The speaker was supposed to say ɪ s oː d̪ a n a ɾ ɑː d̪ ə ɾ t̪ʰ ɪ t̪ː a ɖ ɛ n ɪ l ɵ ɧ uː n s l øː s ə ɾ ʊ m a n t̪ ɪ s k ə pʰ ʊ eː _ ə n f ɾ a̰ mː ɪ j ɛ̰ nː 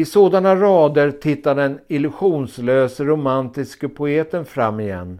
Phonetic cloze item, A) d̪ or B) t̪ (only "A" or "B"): B